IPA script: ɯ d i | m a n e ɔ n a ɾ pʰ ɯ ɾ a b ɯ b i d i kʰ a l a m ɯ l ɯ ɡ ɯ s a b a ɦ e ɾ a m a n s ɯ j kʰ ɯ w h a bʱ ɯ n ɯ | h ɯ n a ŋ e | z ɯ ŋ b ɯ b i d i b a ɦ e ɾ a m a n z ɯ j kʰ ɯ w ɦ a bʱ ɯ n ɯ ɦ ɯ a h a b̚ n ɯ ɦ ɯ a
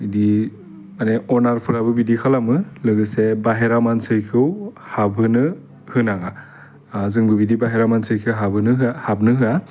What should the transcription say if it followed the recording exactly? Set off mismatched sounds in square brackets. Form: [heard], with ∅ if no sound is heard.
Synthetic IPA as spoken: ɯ d i | m a n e ɔ n a ɾ pʰ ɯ ɾ a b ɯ b i d i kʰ a l a m ɯ l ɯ ɡ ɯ s [e] b a ɦ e ɾ a m a n s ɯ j kʰ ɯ w h a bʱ ɯ n ɯ | h ɯ n a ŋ [a] | z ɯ ŋ b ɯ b i d i b a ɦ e ɾ a m a n [s] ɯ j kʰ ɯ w ɦ a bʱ ɯ n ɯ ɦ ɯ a h a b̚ n ɯ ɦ ɯ a

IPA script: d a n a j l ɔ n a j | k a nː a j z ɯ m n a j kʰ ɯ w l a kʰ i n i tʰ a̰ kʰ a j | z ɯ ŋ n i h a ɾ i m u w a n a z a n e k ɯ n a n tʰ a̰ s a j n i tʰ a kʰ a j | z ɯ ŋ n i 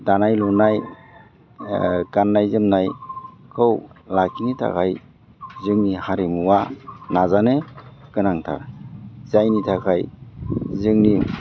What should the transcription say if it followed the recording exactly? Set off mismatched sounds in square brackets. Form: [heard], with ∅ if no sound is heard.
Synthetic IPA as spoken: d a n a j l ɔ n a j | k a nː a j z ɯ m n a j kʰ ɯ w l a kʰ i n i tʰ a̰ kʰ a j | z ɯ ŋ n i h a ɾ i m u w a n a z a n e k ɯ n a [ŋ] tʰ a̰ [z] a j n i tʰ a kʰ a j | z ɯ ŋ n i

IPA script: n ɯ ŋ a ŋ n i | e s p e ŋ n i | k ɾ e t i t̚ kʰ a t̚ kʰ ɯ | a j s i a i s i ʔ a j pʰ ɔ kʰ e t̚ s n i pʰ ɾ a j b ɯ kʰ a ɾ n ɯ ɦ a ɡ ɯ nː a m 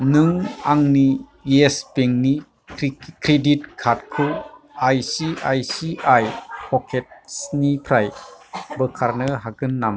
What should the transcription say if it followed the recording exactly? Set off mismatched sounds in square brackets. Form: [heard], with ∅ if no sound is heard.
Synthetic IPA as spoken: n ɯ ŋ a ŋ n i | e s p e ŋ n i | k ɾ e [d] i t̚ kʰ a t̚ kʰ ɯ | a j s i a [j] s i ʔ a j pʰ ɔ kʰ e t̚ s n i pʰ ɾ a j b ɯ kʰ a ɾ n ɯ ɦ a ɡ ɯ nː a m

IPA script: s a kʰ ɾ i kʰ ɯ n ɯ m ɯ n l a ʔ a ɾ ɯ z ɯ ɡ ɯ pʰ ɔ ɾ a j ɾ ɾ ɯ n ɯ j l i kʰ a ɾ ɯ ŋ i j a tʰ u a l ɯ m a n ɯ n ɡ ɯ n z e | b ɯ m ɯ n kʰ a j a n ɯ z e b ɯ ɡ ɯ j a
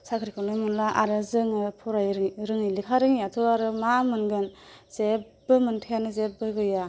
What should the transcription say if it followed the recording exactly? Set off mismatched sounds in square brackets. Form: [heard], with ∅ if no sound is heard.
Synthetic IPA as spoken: s a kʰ ɾ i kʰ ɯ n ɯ m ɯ n l a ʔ a ɾ ɯ z ɯ [ŋ] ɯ pʰ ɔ ɾ a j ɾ ɾ ɯ [ŋ] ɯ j l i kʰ a ɾ ɯ ŋ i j a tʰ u a [ɾ] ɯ m a [m] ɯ n ɡ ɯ n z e | b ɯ m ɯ n [tʰ] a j a n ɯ z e b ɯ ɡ ɯ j a

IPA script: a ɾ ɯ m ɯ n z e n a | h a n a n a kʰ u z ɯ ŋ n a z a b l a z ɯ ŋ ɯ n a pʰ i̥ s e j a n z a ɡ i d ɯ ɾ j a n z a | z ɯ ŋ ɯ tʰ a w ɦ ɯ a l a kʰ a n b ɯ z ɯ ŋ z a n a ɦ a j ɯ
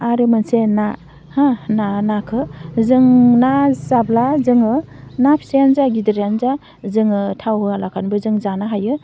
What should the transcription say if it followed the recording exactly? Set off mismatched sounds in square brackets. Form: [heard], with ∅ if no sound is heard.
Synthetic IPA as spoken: a ɾ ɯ m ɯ n [s] e n a | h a n a n a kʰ [ɯ] z ɯ ŋ n a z a b l a z ɯ ŋ ɯ n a pʰ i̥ s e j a n z a ɡ i d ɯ ɾ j a n z a | z ɯ ŋ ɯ tʰ a w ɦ ɯ a l a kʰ a n b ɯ z ɯ ŋ z a n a ɦ a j ɯ

